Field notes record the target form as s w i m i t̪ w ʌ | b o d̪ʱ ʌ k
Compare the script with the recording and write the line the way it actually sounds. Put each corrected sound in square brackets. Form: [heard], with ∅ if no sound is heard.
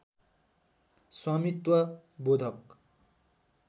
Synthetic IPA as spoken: s w [a] m i t̪ w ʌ | b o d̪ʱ ʌ k

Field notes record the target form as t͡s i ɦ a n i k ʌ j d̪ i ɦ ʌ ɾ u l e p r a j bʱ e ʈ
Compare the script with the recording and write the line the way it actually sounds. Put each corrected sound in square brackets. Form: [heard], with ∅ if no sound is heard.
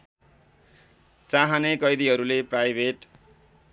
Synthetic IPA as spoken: t͡s [a] ɦ a n [e] k ʌ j d̪ i ɦ ʌ ɾ u l e p r a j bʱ e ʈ

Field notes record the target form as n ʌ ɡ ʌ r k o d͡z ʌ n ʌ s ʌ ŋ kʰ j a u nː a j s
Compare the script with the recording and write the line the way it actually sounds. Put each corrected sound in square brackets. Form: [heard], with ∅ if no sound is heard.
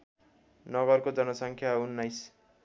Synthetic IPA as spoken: n ʌ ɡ ʌ r k o d͡z ʌ n ʌ s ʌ ŋ kʰ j a u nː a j s

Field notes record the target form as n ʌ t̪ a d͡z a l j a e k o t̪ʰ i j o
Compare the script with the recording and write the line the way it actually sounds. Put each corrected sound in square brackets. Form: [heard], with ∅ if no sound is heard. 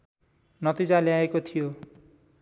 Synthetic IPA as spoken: n ʌ t̪ [i] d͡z a l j a e k o t̪ʰ i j o

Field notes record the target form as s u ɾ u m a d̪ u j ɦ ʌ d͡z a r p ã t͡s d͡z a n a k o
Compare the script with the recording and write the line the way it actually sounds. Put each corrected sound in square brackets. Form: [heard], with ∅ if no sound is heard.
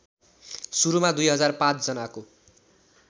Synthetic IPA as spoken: s u ɾ u m a d̪ u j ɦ ʌ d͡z a r p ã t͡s d͡z [ʌ] n a k o

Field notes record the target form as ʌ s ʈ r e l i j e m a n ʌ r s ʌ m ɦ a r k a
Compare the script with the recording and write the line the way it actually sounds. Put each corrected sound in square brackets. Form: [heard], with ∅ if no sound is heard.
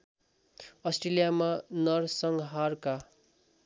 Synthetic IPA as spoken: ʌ s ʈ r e l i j [a] m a n ʌ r s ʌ [ŋ] ɦ a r k a

